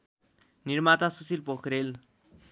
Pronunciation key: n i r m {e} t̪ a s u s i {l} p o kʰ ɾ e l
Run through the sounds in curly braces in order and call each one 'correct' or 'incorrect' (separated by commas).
incorrect, correct